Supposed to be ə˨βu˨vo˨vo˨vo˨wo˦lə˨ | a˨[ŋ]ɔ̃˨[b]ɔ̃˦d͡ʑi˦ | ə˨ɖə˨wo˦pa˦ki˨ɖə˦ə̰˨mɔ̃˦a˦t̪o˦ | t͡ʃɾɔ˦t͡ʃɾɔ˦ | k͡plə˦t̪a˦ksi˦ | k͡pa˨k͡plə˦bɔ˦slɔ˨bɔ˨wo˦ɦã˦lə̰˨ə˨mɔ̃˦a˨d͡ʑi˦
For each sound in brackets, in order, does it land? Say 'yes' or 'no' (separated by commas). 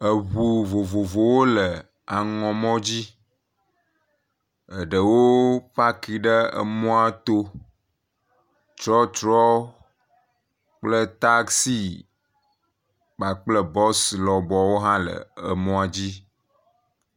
yes, no